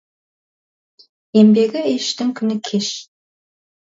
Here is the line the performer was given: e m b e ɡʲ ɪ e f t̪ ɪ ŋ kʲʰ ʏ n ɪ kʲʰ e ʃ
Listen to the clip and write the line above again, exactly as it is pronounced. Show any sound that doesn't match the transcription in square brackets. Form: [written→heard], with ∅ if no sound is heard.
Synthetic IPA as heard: e m b e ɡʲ ɪ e [f→ʃ] t̪ ɪ ŋ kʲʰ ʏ n ɪ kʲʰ e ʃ